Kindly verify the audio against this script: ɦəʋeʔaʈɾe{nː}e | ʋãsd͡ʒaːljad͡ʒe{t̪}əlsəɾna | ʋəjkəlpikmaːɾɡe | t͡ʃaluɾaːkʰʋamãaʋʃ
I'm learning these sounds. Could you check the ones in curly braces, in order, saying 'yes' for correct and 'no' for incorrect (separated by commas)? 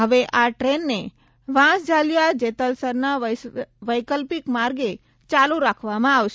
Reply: yes, yes